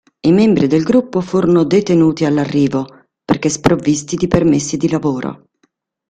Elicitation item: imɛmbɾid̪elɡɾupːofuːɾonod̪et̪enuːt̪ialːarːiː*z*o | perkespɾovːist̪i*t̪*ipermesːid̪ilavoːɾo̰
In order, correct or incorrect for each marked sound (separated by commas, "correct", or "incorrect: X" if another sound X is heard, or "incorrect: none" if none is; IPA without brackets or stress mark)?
incorrect: v, incorrect: d̪